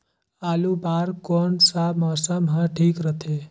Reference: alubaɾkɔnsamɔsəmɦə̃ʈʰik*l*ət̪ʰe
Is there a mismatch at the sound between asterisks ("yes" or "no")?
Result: yes